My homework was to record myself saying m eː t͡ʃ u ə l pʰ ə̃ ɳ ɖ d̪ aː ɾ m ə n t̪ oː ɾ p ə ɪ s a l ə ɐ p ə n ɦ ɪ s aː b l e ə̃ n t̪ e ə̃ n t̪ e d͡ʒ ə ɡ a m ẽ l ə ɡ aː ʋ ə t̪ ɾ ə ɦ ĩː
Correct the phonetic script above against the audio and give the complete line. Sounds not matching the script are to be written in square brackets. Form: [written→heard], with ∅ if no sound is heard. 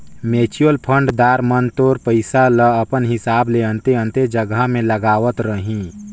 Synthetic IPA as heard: m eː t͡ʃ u ə l pʰ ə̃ ɳ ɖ d̪ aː ɾ m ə n t̪ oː ɾ p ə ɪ s a l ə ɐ p ə n ɦ ɪ s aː b l e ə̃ n t̪ e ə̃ n t̪ e d͡ʒ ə ɡ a m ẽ l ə ɡ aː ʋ ə t̪ ɾ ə ɦ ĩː